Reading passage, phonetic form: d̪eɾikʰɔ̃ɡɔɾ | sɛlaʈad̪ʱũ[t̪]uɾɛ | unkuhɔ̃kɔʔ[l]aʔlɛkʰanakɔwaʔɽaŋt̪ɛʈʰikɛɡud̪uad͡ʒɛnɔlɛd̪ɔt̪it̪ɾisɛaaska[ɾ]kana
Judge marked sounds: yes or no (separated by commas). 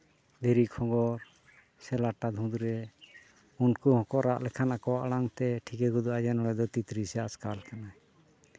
no, no, no